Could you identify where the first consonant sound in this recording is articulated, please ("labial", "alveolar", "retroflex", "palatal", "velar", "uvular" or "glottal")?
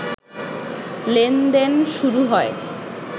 alveolar